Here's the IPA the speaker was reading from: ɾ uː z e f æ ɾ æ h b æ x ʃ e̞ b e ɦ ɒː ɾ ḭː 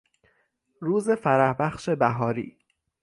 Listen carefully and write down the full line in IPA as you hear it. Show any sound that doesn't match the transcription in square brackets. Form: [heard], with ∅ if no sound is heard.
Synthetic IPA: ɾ uː z e f æ ɾ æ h b æ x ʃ e̞ b [æ] ɦ ɒː ɾ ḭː